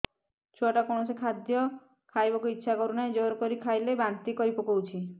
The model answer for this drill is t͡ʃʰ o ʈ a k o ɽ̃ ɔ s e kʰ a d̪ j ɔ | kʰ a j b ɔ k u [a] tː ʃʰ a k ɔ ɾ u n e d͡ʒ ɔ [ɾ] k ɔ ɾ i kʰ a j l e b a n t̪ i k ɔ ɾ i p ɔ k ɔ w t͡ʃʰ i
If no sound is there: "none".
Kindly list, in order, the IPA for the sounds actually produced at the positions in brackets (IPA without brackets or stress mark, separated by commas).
i, ɾ